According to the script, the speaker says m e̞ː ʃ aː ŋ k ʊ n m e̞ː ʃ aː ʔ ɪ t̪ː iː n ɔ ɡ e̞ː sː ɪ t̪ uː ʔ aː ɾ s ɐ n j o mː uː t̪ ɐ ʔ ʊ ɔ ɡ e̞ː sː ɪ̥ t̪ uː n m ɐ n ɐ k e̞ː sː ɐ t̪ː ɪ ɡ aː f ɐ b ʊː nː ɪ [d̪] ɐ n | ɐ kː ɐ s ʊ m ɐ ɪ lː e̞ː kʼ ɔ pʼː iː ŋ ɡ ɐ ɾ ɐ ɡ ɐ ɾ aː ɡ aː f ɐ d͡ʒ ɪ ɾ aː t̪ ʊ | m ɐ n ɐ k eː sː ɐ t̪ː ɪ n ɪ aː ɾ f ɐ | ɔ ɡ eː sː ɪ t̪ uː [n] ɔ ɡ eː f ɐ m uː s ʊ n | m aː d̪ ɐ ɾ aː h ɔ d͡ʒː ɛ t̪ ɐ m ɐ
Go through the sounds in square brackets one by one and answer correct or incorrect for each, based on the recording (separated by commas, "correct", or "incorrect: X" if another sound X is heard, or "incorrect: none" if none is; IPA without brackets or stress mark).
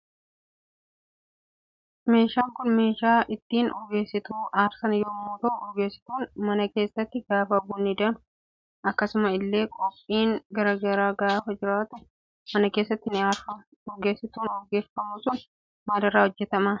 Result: correct, correct